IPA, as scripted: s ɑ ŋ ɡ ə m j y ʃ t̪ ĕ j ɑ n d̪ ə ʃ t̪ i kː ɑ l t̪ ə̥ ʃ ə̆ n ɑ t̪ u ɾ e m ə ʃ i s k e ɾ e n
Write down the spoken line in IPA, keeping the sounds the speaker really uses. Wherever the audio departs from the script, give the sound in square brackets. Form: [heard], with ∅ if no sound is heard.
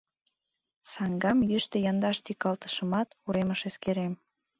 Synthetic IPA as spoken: s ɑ ŋ ɡ [ɑ] m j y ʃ t̪ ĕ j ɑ n d̪ [ɑ] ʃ t̪ i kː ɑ l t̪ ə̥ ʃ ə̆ [m] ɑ t̪ u ɾ e m ə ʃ [e] s k e ɾ e [m]